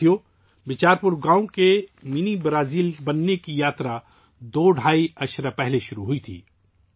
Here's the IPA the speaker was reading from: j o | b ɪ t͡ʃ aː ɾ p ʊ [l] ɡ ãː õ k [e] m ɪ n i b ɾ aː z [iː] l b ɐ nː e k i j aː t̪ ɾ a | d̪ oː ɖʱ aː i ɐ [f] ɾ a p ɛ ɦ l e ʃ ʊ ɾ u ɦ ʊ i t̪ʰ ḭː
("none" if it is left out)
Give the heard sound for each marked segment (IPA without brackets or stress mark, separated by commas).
ɾ, e, iː, ʃ